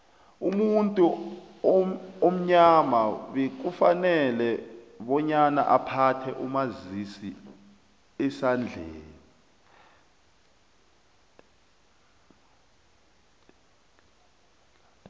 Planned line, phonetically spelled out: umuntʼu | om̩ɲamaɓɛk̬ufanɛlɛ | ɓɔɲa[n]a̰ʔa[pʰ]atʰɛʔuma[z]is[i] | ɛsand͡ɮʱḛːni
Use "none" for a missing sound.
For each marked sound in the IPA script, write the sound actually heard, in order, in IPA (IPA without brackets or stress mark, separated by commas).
n, pʰ, z, i